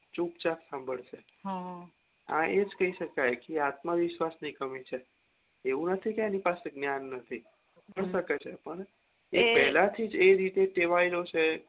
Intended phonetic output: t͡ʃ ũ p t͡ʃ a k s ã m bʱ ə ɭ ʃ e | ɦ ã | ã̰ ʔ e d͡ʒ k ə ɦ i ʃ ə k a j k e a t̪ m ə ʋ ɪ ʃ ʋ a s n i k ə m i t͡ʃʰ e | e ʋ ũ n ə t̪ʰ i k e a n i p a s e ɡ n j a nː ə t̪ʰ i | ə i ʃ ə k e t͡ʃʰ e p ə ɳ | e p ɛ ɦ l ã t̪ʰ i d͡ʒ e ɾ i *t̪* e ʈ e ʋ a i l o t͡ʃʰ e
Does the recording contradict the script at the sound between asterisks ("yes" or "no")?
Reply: no